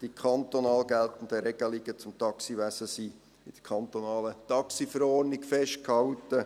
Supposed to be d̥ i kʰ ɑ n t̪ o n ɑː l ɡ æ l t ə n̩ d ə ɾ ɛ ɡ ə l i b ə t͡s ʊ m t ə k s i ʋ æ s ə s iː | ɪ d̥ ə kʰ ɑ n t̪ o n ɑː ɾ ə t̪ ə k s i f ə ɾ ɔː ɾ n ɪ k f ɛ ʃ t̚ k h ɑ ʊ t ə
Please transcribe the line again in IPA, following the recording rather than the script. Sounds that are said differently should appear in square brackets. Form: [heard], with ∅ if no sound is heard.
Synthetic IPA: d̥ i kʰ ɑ n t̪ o n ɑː l ɡ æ l t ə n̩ d ə ɾ ɛ ɡ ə l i [ɡ] ə t͡s ʊ m t [ɑ] k s i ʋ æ s ə s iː | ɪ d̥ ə kʰ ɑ n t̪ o n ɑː [l] ə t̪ [ɑ] k s i f ə ɾ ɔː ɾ n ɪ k f ɛ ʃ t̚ k h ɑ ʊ t ə